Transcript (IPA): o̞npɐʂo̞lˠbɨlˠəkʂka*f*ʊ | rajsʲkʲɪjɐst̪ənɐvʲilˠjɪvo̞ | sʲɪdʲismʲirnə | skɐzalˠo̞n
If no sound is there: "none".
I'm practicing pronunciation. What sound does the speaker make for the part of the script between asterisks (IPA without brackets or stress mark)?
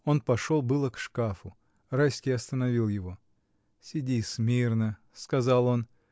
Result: f